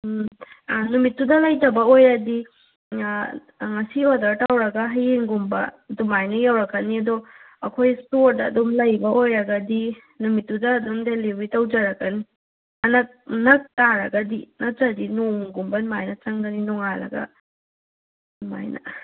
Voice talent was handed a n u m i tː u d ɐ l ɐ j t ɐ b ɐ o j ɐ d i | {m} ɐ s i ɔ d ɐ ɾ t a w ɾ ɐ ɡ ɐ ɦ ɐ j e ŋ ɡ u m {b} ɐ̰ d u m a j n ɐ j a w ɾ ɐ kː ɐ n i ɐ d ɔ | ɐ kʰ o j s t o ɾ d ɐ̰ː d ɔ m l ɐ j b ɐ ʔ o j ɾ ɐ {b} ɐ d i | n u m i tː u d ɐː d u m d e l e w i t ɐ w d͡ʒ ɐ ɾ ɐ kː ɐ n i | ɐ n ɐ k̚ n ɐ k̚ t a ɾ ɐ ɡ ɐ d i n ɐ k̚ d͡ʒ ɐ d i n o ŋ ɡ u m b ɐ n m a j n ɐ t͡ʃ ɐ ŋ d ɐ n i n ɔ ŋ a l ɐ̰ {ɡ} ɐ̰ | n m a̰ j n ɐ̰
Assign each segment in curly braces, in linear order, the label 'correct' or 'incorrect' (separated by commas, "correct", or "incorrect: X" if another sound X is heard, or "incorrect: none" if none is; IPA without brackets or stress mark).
incorrect: ŋ, correct, incorrect: ɡ, correct